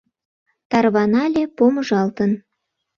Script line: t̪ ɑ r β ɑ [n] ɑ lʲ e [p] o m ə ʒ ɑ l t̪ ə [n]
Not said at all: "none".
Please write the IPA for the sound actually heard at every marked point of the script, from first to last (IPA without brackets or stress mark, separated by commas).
n, p, n